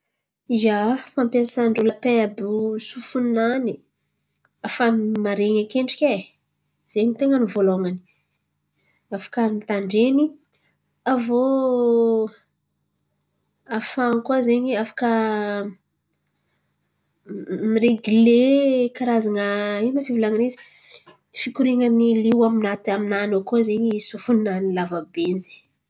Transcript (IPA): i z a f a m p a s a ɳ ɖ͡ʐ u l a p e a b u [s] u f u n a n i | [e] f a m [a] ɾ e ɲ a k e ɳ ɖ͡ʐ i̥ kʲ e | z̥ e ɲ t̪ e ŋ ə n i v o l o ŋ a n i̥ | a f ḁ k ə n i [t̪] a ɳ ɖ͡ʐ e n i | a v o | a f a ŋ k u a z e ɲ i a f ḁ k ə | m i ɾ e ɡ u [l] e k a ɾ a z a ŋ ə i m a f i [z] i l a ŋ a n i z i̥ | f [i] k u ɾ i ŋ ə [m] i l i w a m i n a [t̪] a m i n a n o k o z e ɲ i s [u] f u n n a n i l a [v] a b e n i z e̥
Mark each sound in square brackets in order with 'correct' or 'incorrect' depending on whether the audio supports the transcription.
correct, incorrect, correct, correct, correct, incorrect, correct, incorrect, correct, correct, correct

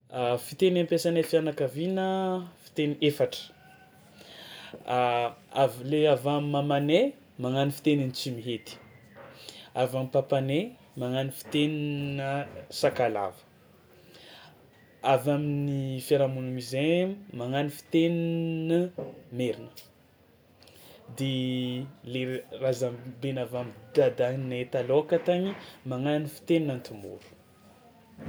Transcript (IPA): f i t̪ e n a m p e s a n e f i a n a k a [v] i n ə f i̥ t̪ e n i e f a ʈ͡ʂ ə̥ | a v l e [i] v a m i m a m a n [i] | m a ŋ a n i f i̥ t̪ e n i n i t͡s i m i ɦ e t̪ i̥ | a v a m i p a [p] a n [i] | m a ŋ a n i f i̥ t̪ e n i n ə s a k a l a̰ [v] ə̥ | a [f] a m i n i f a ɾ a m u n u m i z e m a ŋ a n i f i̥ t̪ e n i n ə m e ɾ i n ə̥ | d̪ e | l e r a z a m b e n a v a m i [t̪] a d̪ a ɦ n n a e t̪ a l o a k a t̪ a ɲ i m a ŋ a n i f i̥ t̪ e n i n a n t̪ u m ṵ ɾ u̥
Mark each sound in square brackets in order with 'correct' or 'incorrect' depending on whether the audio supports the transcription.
correct, incorrect, incorrect, correct, incorrect, correct, incorrect, incorrect

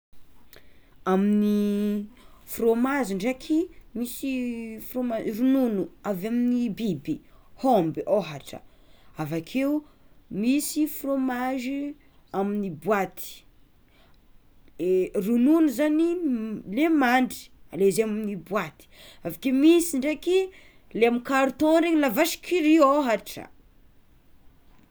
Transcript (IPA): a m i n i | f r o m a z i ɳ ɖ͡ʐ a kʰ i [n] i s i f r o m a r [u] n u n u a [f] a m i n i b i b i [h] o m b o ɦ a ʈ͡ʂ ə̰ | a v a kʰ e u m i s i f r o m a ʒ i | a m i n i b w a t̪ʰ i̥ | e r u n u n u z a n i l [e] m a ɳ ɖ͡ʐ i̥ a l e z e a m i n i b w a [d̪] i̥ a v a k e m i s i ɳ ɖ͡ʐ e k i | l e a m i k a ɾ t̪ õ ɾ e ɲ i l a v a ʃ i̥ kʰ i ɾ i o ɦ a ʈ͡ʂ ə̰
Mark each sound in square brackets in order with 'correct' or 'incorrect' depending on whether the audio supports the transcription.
incorrect, correct, incorrect, correct, correct, incorrect

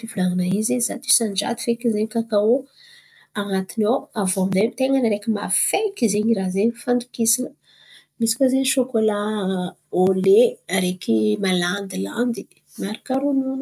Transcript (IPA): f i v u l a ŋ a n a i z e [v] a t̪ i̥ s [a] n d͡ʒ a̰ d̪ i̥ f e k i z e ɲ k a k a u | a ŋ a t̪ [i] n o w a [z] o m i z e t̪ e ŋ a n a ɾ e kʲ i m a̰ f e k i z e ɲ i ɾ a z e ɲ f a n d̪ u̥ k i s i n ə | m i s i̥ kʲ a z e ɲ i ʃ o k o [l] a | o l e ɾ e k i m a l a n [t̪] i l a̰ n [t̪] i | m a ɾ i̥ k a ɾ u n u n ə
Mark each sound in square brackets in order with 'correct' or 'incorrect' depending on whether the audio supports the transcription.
incorrect, correct, correct, incorrect, correct, incorrect, incorrect

